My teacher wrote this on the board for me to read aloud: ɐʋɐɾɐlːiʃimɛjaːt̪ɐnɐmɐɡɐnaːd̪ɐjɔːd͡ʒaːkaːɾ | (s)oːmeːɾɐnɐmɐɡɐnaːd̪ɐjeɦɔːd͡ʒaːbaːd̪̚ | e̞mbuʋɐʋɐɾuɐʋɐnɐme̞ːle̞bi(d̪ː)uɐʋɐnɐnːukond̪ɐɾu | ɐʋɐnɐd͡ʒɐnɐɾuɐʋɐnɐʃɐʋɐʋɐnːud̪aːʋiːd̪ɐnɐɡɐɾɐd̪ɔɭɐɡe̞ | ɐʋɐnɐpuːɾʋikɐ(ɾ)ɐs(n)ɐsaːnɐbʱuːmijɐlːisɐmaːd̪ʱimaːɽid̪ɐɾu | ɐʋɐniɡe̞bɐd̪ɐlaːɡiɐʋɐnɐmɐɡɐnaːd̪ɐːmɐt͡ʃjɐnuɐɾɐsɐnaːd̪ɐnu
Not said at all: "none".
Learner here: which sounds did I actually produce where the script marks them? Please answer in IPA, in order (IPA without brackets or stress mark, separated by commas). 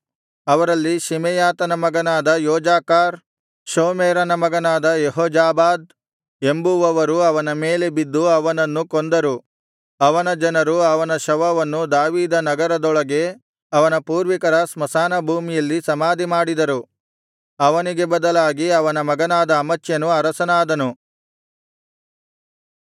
ʃ, d̪ː, ɾ, m